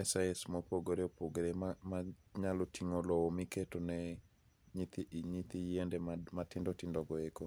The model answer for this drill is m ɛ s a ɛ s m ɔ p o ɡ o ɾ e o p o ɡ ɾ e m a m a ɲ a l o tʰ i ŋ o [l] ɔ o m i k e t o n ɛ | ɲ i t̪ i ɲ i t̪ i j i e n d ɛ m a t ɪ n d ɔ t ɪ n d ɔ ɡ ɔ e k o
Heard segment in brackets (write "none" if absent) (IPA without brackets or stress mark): l